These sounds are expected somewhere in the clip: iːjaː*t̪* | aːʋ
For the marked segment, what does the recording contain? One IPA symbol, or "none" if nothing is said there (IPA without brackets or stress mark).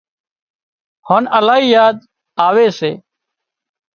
d̪